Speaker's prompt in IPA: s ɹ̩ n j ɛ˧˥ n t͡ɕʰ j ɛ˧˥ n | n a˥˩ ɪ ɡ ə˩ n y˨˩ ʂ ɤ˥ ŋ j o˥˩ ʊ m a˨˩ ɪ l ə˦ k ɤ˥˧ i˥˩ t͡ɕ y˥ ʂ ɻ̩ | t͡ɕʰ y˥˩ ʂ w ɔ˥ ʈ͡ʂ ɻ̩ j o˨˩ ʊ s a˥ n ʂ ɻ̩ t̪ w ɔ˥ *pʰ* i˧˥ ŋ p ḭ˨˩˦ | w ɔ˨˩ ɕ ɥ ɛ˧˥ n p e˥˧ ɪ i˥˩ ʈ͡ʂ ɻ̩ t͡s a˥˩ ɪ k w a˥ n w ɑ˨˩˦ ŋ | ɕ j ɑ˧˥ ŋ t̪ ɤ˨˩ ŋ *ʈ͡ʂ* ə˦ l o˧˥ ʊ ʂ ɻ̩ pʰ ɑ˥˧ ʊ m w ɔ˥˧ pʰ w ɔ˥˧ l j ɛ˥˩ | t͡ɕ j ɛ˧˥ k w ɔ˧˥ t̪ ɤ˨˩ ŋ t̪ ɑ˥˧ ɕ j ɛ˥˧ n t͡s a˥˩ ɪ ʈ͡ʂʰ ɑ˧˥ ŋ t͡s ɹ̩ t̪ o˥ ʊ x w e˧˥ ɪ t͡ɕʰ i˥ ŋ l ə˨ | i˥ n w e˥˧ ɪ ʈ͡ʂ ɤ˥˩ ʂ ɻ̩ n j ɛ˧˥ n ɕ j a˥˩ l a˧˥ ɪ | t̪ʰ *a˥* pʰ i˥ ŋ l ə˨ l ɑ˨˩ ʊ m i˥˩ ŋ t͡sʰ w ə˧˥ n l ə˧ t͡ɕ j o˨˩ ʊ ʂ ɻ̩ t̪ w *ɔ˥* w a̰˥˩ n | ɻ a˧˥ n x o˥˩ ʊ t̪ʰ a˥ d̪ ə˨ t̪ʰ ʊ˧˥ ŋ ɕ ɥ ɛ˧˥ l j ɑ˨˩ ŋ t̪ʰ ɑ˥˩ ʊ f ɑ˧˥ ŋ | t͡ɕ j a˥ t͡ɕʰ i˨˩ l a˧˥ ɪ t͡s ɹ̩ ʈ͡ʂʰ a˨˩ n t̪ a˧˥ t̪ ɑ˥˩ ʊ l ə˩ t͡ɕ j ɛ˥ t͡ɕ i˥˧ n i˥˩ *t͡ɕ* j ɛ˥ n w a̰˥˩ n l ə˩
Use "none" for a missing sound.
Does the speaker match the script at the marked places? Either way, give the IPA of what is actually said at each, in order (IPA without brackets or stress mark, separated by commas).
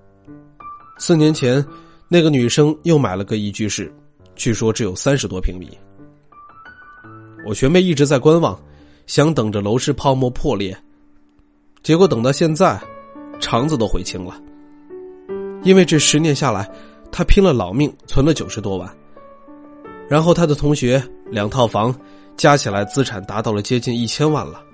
pʰ, ʈ͡ʂ, a˥, ɔ˥, t͡ɕʰ